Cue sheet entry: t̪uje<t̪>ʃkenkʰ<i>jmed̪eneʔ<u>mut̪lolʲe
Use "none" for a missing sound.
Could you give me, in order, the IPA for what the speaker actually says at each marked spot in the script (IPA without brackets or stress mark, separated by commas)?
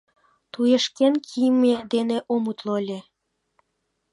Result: none, i, o